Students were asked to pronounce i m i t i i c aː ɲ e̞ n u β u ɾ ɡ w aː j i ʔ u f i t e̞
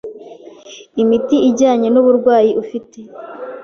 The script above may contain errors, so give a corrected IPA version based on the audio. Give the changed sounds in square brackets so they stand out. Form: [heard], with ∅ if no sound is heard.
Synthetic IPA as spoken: i m i t i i [ɟ] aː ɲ e̞ n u β u ɾ ɡ w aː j i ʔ u f i t e̞